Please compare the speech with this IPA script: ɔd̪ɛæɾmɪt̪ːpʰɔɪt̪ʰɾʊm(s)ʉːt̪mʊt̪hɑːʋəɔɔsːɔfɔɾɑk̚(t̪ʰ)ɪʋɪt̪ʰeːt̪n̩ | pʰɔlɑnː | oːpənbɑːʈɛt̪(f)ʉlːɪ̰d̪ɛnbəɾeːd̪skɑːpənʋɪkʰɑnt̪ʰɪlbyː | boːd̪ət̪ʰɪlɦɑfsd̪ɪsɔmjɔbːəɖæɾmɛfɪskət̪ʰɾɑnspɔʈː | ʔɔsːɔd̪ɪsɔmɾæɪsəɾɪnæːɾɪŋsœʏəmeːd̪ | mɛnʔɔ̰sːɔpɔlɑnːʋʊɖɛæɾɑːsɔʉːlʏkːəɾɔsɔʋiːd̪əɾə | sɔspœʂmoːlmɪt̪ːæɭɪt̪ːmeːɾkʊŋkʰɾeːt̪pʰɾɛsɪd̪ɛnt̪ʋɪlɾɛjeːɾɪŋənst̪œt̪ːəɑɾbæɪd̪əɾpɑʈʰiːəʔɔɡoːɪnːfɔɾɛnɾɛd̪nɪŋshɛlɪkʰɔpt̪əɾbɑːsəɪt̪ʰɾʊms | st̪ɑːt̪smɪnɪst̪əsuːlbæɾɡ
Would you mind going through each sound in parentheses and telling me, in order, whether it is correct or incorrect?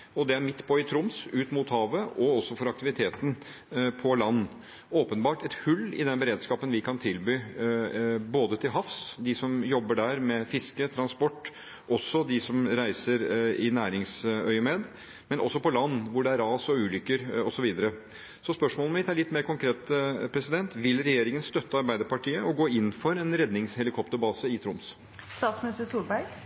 correct, incorrect, incorrect

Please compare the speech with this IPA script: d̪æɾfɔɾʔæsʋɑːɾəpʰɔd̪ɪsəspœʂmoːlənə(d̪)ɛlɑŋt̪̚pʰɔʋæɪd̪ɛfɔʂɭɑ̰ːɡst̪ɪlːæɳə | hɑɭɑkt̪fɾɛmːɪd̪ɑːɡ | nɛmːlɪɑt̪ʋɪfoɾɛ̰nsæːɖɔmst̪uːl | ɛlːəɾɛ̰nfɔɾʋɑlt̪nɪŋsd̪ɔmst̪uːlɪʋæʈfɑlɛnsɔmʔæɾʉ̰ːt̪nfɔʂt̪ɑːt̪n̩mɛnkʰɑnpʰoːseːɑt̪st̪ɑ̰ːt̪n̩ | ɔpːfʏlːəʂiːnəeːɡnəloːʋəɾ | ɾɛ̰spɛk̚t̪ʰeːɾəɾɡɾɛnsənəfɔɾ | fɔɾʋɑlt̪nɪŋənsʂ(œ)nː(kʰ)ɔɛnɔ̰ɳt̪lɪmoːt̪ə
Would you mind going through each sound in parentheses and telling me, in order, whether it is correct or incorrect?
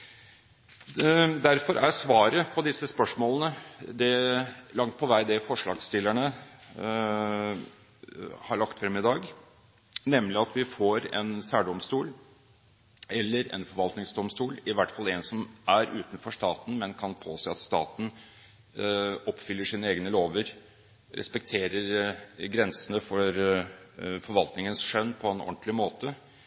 correct, correct, incorrect

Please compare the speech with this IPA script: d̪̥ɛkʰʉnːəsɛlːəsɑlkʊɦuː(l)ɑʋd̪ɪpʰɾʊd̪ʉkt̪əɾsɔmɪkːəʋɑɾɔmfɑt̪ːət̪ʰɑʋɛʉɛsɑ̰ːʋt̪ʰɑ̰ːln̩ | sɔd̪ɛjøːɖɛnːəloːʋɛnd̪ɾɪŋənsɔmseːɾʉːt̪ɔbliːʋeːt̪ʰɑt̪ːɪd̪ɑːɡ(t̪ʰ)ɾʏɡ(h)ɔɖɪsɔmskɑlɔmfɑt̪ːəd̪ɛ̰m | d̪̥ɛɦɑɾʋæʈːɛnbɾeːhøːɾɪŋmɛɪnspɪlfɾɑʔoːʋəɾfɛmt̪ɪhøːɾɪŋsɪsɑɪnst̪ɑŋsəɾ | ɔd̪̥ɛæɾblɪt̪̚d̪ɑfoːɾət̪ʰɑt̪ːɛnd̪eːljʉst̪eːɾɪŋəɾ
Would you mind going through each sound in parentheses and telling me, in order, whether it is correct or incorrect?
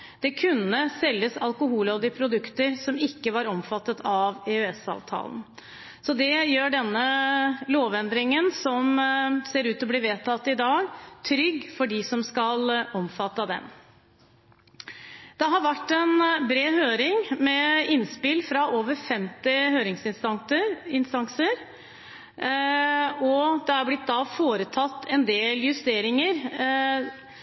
correct, correct, incorrect

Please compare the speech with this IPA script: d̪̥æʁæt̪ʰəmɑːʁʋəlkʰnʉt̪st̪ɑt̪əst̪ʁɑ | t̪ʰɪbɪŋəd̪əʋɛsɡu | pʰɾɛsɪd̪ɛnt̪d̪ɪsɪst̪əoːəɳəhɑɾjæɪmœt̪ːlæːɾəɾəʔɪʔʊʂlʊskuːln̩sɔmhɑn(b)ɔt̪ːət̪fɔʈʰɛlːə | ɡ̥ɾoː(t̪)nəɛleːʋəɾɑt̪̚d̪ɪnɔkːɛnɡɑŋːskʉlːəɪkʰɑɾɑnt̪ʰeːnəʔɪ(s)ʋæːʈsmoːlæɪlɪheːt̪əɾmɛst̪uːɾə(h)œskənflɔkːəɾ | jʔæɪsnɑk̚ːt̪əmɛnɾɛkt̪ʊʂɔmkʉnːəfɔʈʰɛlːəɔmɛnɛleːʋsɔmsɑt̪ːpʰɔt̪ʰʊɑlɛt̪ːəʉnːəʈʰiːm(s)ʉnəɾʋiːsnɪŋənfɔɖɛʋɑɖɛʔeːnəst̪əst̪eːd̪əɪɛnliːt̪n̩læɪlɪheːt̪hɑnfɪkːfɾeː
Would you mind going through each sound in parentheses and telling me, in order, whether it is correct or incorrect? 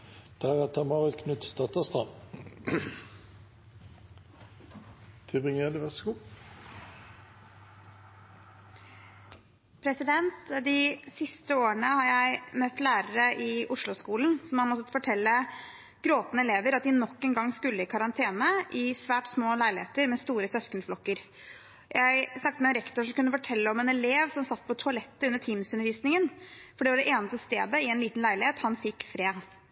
incorrect, correct, correct, incorrect, correct

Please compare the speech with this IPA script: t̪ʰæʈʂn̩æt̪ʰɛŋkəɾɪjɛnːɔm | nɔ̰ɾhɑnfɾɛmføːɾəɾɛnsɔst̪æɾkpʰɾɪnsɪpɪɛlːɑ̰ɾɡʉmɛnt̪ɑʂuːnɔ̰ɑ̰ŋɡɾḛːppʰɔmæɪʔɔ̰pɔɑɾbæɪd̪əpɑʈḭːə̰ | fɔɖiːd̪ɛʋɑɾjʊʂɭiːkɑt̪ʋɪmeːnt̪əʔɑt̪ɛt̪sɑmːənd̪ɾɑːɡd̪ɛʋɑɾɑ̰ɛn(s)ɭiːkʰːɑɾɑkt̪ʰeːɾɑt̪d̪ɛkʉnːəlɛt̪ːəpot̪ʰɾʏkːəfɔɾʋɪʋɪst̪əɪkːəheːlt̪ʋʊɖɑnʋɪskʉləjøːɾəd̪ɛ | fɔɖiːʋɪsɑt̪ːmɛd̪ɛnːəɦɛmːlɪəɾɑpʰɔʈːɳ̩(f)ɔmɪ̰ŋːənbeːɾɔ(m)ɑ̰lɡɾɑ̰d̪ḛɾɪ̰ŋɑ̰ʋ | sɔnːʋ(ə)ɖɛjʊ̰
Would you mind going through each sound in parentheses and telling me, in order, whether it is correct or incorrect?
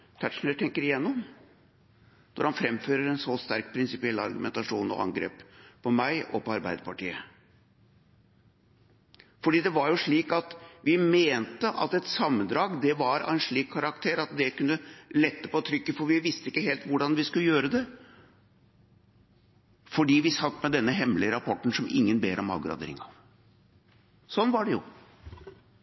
incorrect, incorrect, correct, incorrect

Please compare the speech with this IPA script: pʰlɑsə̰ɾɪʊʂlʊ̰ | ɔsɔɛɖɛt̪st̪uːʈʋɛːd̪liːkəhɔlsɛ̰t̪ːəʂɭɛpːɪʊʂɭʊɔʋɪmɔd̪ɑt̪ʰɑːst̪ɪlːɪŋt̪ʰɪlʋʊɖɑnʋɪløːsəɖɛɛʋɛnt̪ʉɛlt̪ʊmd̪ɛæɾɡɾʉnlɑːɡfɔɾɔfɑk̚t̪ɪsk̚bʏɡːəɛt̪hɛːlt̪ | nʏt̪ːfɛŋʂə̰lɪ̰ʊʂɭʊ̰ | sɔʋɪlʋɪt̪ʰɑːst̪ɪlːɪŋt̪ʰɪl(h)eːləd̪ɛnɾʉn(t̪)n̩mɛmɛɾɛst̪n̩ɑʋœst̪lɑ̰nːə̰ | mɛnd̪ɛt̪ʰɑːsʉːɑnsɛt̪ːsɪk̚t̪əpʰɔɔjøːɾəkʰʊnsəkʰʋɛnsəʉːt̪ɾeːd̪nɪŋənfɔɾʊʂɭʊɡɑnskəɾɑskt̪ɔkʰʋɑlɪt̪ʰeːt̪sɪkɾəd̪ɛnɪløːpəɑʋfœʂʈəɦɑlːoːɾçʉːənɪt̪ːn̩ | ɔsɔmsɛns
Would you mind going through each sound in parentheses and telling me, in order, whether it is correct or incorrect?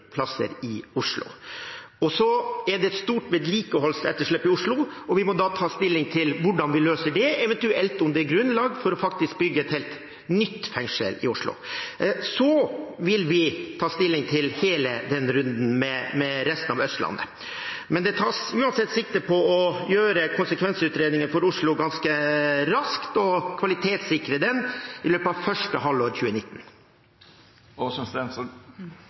correct, incorrect

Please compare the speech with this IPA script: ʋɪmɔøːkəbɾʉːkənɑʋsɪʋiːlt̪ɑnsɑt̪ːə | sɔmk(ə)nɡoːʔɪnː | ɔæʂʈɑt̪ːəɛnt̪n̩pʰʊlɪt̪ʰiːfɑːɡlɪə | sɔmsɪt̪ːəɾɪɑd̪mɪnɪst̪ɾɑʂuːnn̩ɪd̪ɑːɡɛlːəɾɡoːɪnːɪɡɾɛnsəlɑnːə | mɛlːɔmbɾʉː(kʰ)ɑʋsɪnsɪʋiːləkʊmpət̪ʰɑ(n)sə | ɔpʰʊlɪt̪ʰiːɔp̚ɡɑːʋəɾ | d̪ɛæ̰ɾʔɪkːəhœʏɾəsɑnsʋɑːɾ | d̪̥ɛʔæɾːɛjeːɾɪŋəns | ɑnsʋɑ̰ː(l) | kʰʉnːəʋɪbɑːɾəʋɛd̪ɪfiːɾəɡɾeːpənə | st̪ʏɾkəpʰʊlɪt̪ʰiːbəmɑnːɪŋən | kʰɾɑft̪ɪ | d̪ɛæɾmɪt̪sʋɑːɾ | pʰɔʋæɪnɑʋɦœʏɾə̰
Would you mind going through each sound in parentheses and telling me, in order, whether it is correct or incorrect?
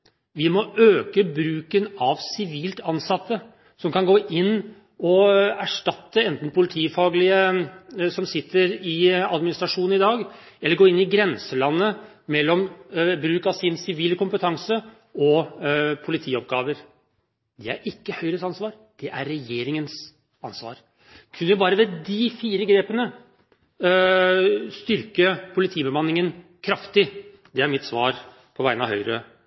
incorrect, incorrect, incorrect, incorrect

